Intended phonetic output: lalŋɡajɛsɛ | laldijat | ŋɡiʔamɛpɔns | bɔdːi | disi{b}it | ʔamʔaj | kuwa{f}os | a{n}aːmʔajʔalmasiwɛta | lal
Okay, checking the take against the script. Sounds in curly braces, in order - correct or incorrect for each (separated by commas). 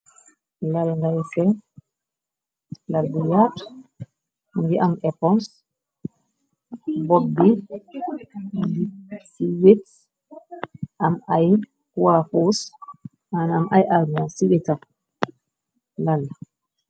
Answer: incorrect, correct, correct